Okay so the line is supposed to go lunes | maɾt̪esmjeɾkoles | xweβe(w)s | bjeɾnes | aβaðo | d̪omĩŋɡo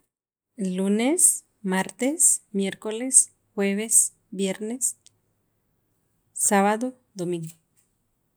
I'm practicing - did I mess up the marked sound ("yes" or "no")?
yes